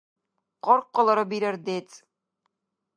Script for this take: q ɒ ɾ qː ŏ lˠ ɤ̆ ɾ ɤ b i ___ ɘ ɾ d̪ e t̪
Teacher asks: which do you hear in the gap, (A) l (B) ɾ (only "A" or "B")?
B